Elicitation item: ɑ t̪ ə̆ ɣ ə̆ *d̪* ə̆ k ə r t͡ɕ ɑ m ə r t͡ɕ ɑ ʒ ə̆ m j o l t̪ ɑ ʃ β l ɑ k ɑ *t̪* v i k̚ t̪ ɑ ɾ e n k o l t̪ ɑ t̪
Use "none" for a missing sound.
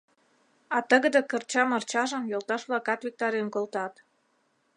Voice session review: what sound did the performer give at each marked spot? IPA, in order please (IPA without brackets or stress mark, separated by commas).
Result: d̪, t̪